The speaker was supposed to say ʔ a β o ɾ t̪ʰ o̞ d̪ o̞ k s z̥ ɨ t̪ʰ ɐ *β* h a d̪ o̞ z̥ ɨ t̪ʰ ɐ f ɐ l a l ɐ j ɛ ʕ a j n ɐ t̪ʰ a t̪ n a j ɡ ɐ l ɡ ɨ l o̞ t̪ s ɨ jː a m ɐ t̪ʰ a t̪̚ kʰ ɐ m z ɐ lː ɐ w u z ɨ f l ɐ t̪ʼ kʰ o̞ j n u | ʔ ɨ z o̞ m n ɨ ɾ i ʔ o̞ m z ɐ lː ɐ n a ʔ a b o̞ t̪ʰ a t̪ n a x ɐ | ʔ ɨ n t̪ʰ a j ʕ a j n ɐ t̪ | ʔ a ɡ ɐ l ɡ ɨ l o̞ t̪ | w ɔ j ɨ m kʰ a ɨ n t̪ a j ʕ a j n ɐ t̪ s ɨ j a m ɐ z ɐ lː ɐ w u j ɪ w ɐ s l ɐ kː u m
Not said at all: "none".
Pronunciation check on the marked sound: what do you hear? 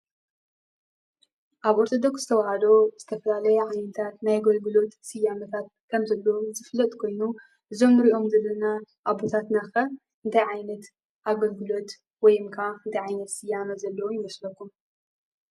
w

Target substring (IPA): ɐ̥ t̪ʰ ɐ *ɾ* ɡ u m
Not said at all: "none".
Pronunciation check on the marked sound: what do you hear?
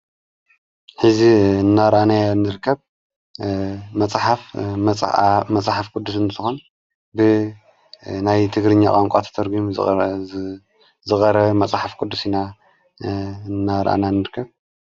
ɾ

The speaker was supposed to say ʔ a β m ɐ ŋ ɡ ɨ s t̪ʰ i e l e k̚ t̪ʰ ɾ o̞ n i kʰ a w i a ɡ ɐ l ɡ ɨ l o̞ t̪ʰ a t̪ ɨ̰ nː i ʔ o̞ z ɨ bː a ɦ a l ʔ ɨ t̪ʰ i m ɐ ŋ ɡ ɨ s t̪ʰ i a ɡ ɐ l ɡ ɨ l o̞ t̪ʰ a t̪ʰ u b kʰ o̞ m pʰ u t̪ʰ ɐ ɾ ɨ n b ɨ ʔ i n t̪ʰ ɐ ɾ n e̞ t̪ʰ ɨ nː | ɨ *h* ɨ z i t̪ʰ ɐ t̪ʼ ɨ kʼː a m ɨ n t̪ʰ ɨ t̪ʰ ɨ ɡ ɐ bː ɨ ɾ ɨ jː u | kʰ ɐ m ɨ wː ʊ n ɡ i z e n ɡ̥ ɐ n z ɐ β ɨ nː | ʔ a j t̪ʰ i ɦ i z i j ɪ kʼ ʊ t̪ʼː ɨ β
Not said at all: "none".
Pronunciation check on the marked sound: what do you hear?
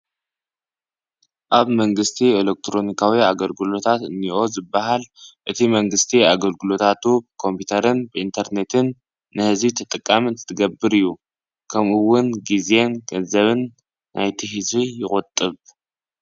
h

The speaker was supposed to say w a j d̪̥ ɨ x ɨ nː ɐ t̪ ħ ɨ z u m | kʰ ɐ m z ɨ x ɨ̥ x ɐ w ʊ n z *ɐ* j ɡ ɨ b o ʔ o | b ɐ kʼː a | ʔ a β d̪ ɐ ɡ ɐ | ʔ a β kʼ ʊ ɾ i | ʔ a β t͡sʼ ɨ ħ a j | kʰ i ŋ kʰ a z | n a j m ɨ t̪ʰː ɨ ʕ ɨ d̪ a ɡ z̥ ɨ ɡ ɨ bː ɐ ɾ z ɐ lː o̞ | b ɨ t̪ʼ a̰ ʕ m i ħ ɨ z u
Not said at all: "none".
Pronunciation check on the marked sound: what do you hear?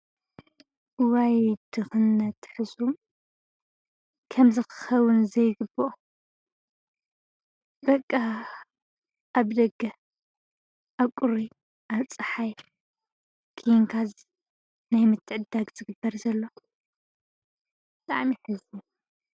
ɐ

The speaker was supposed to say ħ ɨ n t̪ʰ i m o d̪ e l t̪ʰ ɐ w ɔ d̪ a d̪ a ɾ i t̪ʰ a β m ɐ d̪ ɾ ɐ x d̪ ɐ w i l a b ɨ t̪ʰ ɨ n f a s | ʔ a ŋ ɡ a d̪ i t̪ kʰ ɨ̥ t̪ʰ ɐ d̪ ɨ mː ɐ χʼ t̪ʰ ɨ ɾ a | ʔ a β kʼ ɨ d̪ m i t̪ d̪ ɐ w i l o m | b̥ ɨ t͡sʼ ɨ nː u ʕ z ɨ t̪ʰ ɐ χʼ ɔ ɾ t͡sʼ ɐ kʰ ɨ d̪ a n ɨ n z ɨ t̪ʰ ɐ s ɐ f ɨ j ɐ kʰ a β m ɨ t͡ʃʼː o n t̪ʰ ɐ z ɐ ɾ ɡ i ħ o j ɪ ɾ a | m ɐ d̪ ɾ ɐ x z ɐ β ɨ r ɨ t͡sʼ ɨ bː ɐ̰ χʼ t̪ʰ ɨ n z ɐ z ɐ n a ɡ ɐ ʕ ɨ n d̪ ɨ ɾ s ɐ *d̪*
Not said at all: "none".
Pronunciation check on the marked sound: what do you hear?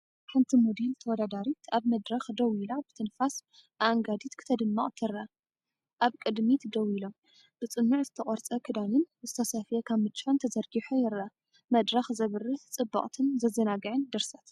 t̪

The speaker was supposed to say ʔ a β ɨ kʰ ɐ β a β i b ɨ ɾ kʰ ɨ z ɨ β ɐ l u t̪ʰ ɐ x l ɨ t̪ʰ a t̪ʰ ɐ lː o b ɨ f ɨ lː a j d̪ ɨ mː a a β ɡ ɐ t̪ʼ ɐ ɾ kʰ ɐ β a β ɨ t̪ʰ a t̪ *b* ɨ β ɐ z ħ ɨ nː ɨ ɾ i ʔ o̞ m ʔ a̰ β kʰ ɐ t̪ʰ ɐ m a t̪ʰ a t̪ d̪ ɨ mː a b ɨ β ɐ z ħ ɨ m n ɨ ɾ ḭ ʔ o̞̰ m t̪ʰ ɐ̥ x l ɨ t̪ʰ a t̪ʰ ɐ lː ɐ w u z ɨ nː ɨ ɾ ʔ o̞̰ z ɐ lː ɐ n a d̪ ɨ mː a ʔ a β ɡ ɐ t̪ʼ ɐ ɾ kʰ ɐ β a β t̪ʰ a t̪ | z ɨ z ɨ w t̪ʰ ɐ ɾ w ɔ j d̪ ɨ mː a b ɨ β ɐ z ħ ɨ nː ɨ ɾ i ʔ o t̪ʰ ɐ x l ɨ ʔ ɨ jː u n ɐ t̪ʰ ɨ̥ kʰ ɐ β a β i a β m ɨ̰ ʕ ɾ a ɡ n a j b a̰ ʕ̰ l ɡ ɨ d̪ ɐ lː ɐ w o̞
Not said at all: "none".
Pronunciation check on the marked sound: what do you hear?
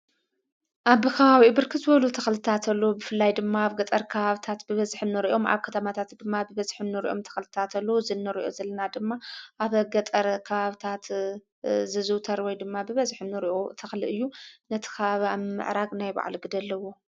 b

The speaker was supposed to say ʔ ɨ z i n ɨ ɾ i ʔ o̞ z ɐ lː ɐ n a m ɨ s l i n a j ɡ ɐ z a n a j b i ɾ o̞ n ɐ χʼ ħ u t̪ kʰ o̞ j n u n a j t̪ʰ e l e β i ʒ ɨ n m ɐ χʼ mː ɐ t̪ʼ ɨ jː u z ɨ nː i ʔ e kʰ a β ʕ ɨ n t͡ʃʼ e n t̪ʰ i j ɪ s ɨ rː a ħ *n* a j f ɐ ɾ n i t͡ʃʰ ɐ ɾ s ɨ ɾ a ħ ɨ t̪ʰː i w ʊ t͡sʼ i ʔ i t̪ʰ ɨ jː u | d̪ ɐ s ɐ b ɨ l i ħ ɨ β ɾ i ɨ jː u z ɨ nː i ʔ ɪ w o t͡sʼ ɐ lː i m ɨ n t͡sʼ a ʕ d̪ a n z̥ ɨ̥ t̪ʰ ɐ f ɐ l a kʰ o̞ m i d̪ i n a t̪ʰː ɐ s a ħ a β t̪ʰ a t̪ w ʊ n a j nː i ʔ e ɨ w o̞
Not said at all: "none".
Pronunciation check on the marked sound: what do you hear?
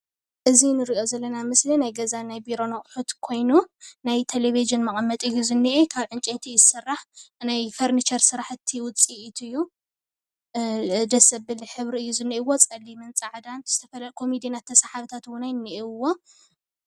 n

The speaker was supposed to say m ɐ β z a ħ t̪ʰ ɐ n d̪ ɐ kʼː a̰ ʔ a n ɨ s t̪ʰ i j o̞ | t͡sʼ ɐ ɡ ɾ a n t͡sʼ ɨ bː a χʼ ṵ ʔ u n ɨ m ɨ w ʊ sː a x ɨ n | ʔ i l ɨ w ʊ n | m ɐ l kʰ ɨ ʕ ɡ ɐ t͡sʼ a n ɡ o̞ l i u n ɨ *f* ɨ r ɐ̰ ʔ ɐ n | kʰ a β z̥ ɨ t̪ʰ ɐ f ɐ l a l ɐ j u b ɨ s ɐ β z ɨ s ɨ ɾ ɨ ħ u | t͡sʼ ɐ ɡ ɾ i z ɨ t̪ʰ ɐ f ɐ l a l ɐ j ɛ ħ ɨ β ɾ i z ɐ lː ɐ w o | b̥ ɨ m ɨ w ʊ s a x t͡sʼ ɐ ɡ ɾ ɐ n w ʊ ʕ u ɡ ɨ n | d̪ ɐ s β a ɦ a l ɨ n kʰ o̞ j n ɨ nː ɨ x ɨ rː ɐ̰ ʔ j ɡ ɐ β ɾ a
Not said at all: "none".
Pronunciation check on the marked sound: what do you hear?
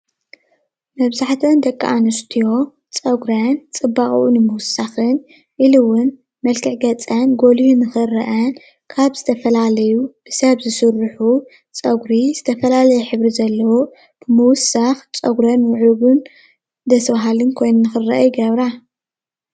x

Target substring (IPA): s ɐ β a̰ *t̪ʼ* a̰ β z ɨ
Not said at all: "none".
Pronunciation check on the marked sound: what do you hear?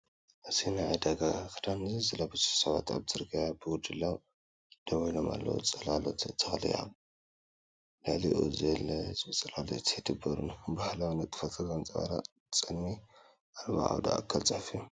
t̪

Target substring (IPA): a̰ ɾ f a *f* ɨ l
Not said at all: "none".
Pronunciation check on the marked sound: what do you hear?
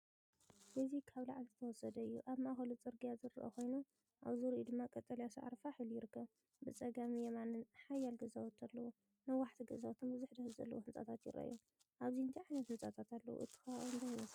ħ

